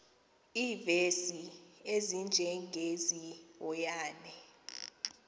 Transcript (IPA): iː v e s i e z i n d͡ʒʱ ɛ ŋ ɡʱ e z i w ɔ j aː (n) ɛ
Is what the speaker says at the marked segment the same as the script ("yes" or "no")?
yes